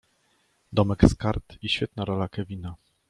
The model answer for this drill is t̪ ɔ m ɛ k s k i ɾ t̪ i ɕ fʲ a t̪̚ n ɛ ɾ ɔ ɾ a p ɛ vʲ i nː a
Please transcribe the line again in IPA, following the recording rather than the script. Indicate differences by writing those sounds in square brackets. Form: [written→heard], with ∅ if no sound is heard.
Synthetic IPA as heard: [t̪→d̪] ɔ m ɛ k s k [i→a] ɾ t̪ i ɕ fʲ [a→ɛ] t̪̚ n [ɛ→a] ɾ ɔ [ɾ→l] a [p→k] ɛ vʲ i [nː→n] a